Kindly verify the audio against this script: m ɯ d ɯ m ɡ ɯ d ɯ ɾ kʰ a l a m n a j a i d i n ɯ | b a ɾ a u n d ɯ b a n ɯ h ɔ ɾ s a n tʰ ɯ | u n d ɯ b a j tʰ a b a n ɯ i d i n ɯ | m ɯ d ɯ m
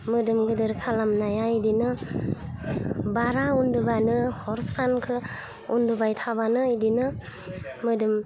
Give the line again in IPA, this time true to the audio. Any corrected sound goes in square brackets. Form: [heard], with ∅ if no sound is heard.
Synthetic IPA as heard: m ɯ d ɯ m ɡ ɯ d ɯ ɾ kʰ a l a m n a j a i d i n ɯ | b a ɾ a u n d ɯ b a n ɯ h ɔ ɾ s a n [kʰ] ɯ | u n d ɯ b a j tʰ a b a n ɯ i d i n ɯ | m ɯ d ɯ m